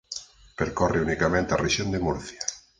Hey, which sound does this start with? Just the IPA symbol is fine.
p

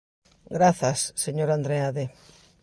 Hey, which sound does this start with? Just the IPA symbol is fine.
ɡ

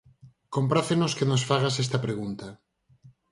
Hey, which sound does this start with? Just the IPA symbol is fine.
k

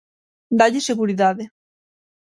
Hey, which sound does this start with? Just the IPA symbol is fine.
d̪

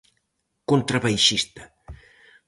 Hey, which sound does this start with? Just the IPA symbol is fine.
k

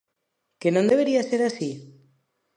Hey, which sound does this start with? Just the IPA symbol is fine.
k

